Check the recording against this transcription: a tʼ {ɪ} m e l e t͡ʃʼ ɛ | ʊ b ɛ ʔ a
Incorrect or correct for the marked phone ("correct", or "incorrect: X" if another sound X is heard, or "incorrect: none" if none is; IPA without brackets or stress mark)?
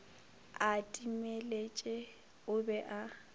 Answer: incorrect: i